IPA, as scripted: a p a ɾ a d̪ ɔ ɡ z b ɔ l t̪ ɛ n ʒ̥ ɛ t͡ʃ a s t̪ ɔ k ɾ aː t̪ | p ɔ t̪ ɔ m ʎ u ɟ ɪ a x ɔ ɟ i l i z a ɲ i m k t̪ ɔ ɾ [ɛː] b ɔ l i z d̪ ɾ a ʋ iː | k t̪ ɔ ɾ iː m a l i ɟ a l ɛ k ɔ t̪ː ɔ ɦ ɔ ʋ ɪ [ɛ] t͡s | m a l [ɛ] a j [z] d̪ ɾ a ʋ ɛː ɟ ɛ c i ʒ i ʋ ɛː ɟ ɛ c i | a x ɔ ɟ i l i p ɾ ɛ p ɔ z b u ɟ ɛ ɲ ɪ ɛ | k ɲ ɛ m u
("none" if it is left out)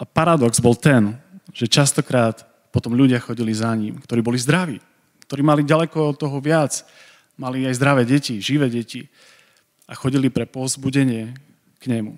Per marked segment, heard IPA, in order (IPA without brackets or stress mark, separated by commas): iː, a, i, z